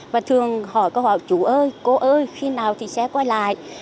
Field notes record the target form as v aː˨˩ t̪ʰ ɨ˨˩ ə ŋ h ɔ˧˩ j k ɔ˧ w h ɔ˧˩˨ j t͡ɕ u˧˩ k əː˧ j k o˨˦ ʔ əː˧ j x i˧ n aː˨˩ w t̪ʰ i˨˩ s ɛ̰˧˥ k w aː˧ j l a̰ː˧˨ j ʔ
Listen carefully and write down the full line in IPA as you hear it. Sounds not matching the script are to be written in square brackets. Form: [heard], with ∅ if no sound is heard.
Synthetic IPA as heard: v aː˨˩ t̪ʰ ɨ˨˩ ə ŋ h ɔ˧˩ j k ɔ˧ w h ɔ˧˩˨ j t͡ɕ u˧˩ [ʔ] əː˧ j k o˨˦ ʔ əː˧ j x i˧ n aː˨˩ w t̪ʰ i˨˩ s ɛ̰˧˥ k w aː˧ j l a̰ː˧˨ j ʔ